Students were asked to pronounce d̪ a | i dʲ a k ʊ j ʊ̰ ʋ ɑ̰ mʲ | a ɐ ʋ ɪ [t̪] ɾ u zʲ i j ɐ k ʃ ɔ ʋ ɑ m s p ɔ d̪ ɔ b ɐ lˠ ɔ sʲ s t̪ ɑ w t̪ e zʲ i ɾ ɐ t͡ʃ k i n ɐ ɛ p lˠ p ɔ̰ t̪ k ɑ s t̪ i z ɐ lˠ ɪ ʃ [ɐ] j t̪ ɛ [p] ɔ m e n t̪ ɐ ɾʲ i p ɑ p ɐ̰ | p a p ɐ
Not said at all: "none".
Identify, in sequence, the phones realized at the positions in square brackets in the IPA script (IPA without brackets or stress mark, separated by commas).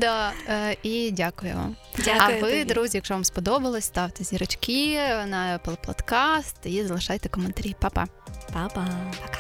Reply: d̪, ɑ, k